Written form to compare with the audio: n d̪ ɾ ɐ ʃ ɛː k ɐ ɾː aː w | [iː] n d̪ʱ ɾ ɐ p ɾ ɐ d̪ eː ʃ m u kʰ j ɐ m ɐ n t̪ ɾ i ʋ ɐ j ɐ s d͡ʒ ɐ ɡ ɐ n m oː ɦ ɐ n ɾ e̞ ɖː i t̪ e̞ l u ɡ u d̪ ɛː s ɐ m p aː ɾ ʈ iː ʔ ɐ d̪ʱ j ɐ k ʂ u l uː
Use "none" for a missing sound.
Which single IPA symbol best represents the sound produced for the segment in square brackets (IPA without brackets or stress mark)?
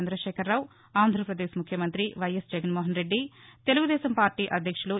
aː